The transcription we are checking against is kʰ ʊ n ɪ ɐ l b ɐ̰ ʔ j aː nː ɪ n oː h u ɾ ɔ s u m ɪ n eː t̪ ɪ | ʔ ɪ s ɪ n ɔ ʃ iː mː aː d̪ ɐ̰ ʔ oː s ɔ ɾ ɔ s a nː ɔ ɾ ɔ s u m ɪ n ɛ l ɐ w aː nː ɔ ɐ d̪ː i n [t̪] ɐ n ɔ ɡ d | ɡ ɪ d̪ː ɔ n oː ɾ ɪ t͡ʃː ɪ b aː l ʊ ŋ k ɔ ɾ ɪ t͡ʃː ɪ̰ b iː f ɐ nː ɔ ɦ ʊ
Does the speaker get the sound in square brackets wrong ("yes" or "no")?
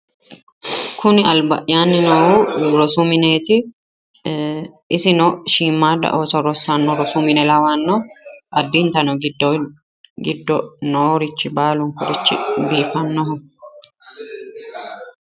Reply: no